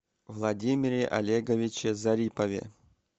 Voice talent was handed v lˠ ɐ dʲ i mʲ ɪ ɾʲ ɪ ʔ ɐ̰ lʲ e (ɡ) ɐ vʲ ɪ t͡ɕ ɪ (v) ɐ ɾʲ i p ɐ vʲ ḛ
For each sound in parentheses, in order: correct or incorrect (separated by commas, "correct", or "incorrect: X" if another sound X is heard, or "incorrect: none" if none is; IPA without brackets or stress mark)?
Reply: correct, incorrect: z